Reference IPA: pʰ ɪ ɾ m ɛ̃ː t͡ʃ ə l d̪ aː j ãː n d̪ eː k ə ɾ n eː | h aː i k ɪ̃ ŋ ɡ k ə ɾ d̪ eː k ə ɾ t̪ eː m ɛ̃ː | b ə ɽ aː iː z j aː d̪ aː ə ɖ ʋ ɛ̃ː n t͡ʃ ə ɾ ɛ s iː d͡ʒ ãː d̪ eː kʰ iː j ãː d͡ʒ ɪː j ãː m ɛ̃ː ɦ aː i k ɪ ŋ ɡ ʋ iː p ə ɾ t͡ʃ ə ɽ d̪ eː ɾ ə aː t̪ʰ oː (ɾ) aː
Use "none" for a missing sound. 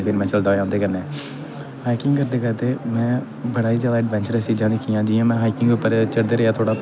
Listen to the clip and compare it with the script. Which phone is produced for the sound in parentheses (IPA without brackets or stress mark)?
ɽ